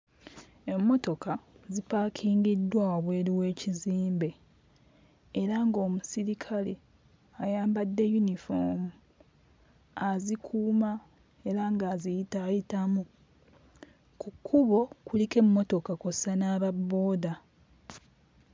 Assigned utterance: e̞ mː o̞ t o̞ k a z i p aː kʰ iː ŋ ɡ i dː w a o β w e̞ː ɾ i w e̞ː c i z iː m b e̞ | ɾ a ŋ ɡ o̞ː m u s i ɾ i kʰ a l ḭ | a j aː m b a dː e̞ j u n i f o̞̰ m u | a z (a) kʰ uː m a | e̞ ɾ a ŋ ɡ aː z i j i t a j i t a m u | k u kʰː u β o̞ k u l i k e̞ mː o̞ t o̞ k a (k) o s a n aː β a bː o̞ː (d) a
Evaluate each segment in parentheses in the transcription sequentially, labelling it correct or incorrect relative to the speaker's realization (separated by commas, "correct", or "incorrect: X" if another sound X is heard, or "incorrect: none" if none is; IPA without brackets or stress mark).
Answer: incorrect: i, correct, correct